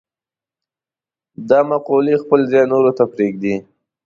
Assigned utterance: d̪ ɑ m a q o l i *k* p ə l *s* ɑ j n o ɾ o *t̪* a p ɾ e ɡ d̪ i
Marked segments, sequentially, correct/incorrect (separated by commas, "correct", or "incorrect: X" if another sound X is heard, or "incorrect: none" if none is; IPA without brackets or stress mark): incorrect: x, incorrect: z, correct